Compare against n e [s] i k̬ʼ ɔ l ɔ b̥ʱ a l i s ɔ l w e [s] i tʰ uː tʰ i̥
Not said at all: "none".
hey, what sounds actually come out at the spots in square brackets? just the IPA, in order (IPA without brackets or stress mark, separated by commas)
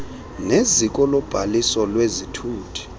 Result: z, z